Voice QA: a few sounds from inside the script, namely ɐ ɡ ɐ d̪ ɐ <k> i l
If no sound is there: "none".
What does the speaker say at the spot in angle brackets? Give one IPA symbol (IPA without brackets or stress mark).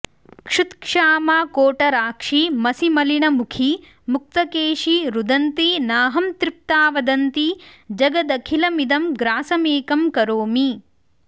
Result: kʰ